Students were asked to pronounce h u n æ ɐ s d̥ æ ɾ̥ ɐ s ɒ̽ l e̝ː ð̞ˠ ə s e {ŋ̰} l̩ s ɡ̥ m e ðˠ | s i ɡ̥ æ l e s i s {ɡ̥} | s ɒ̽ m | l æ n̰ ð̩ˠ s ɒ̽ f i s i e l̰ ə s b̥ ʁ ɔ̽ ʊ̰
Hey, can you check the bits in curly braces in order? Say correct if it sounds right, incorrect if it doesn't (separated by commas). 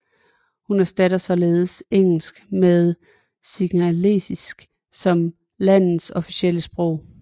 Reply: correct, correct